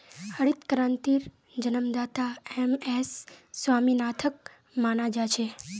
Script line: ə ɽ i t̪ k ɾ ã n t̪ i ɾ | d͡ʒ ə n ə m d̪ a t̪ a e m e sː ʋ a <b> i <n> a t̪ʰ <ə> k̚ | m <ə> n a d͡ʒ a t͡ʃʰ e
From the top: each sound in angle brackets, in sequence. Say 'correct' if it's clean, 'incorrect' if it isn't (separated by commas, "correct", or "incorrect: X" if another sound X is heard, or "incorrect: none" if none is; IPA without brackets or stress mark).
incorrect: m, correct, correct, incorrect: a